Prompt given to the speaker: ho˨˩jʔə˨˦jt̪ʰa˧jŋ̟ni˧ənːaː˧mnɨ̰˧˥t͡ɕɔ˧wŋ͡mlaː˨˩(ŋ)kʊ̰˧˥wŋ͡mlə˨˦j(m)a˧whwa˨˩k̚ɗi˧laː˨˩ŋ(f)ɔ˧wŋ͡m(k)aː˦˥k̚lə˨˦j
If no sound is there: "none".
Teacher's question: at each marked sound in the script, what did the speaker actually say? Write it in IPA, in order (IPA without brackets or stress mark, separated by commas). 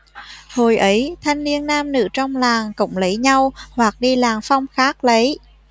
ŋ, ɲ, f, x